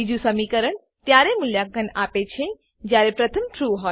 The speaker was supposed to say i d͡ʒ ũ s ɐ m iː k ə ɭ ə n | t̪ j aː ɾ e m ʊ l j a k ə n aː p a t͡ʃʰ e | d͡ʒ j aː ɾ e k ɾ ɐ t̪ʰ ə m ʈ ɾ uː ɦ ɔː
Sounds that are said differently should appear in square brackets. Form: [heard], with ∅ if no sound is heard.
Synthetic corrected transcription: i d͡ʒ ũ s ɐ m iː k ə [ɾ] ə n | t̪ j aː ɾ e m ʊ l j a k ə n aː p [e] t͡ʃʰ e | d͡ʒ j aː ɾ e [p] ɾ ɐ t̪ʰ ə m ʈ ɾ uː ɦ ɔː

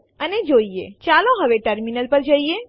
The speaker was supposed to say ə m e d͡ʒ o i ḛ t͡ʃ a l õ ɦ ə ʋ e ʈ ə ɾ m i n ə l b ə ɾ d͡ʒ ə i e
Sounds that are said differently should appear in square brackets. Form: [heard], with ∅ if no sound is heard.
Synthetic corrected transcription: ə [n] e d͡ʒ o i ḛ t͡ʃ a l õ ɦ ə ʋ e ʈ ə ɾ m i n ə l [p] ə ɾ d͡ʒ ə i e

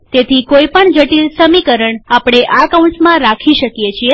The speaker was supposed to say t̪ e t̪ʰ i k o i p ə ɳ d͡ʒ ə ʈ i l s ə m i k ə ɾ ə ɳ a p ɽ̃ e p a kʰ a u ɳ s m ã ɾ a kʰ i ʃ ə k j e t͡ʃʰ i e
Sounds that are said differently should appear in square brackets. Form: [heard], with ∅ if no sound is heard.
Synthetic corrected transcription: t̪ e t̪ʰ i k o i p ə ɳ d͡ʒ ə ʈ i l s ə m i k ə ɾ ə ɳ a p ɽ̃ e [ʔ] a [k] a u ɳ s m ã ɾ a kʰ i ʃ ə k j e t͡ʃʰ i e

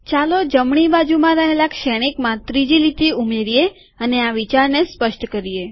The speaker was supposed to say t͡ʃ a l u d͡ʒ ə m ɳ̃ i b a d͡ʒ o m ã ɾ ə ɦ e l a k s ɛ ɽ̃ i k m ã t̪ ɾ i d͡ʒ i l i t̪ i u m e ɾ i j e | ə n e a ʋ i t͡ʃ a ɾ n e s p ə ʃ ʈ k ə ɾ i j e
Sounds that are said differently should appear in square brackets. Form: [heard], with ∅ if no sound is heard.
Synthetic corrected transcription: t͡ʃ a l [o] d͡ʒ ə m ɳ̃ i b a d͡ʒ [u] m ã ɾ ə ɦ e l a k [ʃ] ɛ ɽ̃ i k m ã t̪ ɾ i d͡ʒ i l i t̪ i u m e ɾ i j e | ə n e a ʋ i t͡ʃ a ɾ n e s p ə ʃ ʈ k ə ɾ i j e

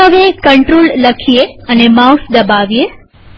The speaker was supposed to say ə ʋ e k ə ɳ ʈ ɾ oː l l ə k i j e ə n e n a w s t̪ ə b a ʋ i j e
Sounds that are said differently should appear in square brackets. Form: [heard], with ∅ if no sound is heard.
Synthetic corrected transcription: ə ʋ e k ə ɳ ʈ ɾ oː l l ə [kʰ] i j e ə n e [m] a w s [d̪] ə b a ʋ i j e

